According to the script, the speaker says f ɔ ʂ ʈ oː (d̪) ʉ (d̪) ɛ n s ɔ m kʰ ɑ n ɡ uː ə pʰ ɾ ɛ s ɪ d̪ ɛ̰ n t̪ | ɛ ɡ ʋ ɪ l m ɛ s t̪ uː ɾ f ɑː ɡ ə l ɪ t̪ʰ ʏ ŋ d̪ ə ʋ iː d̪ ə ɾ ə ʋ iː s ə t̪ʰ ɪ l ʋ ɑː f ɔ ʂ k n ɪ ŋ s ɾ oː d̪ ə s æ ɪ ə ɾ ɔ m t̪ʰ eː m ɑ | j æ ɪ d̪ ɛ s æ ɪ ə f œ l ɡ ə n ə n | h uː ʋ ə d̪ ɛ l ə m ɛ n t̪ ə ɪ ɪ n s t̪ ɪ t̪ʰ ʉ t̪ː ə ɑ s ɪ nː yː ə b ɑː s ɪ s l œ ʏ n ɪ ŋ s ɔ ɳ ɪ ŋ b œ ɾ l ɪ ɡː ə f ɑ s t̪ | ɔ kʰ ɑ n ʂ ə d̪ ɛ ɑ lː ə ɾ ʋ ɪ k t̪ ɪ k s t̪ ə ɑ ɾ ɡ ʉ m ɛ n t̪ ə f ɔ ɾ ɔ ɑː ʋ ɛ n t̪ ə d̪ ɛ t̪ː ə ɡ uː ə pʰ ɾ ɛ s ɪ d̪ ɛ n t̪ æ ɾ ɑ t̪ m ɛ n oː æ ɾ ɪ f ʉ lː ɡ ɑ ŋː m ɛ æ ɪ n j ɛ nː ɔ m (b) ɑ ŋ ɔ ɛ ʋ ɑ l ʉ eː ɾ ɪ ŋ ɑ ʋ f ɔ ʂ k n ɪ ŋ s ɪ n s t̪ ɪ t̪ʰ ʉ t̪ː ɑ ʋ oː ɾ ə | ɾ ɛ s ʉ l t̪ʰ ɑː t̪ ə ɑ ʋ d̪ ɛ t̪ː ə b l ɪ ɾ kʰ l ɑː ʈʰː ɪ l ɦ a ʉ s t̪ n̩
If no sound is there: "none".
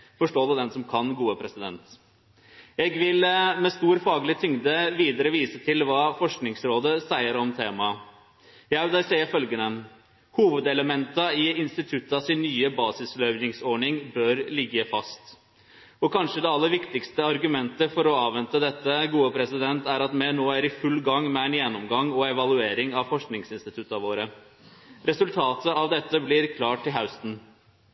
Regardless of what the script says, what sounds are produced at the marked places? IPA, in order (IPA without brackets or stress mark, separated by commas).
d̪, d̪, ɡ